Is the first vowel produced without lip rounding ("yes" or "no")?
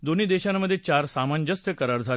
no